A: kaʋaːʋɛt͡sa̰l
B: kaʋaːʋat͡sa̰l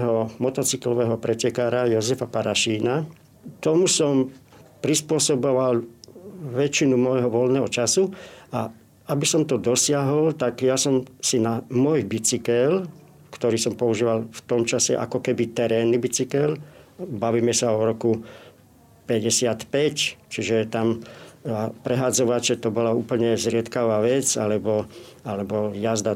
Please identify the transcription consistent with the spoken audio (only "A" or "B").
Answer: A